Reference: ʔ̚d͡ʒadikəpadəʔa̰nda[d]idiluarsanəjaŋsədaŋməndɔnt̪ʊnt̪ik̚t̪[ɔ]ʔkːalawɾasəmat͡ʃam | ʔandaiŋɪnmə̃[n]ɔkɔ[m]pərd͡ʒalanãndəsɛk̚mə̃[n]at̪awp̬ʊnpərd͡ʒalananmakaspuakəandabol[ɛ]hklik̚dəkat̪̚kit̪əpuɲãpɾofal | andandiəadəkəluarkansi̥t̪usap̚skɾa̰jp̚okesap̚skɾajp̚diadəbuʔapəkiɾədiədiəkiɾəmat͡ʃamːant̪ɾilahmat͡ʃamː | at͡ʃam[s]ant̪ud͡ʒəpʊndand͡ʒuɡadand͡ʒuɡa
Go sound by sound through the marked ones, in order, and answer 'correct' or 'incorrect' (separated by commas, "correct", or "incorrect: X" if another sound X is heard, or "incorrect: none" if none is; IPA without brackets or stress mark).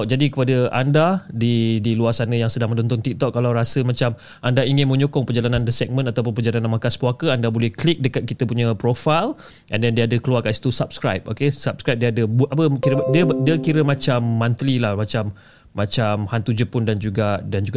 correct, correct, incorrect: ɲ, incorrect: ŋ, correct, correct, incorrect: h